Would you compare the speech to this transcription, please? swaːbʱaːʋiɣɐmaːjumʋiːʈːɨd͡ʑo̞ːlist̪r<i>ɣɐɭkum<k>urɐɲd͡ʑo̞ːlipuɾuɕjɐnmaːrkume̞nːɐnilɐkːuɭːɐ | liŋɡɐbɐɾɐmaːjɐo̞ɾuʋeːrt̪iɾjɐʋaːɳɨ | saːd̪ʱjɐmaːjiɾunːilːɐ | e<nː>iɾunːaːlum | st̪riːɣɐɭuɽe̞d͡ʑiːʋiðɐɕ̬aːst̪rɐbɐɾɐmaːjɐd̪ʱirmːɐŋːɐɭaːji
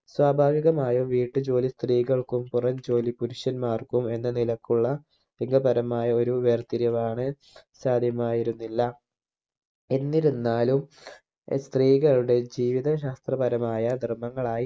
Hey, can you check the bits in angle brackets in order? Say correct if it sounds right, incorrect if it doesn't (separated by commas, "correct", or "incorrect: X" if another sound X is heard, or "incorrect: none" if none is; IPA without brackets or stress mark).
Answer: incorrect: iː, incorrect: p, correct